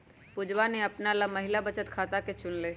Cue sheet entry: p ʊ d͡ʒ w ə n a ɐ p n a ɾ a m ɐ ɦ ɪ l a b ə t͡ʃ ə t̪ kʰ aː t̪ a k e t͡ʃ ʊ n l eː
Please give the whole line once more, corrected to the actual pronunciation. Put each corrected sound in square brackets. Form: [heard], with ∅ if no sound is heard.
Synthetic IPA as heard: p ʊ d͡ʒ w [a] n [e] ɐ p n a [l] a m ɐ ɦ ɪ l a b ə t͡ʃ ə t̪ kʰ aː t̪ a k e t͡ʃ ʊ n l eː